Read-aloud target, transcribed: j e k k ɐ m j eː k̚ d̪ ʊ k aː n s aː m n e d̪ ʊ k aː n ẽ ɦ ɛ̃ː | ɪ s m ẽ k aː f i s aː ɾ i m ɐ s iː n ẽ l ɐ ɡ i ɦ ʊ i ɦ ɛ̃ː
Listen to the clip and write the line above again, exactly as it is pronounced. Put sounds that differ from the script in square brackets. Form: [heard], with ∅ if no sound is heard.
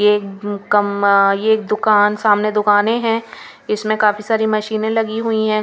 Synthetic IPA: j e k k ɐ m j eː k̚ d̪ ʊ k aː n s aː m n e d̪ ʊ k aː n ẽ ɦ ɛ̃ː | ɪ s m ẽ k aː f i s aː ɾ i m ɐ [ʃ] iː n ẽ l ɐ ɡ i ɦ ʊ i ɦ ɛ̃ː

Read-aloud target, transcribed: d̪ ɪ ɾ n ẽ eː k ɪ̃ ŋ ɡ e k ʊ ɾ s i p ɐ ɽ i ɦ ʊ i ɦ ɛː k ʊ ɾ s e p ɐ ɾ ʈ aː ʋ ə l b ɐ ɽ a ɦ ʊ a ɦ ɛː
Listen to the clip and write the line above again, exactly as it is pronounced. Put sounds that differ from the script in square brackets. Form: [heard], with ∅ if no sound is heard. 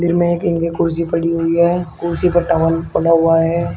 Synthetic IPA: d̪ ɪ ɾ [m] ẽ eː k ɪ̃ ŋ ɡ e k ʊ ɾ s i p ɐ ɽ i ɦ ʊ i ɦ ɛː k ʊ ɾ s [i] p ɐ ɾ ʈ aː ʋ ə l [p] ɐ ɽ a ɦ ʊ a ɦ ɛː

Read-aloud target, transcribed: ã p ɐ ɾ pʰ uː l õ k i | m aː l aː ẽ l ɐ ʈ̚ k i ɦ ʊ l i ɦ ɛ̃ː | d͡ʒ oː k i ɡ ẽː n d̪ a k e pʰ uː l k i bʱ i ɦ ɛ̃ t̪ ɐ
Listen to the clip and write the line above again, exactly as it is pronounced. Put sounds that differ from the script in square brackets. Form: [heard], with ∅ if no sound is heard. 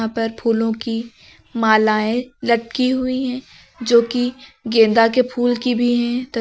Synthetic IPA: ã p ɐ ɾ pʰ uː l õ k i | m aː l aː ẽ l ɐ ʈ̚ k i ɦ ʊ [∅] i ɦ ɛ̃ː | d͡ʒ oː k i ɡ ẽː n d̪ a k e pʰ uː l k i bʱ i ɦ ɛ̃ t̪ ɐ

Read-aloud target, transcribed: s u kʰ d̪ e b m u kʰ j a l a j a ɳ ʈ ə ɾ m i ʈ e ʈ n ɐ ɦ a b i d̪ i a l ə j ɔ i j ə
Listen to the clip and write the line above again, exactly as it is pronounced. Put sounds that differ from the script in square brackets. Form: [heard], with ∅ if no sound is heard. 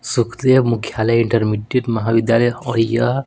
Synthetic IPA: s u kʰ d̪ e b m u kʰ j a l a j [i] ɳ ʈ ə ɾ m i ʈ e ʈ [m] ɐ ɦ a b i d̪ [j] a l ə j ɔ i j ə

